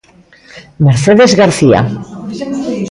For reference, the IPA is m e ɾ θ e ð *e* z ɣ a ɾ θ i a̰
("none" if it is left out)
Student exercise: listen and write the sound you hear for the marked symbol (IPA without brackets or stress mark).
e